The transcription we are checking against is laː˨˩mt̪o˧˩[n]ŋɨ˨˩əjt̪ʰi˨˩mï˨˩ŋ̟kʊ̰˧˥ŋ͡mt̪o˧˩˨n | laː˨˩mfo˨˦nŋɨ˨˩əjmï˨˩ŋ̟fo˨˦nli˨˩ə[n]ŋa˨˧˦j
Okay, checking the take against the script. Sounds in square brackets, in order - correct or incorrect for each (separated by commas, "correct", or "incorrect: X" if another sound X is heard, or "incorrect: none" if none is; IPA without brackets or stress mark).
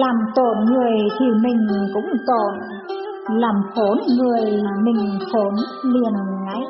correct, correct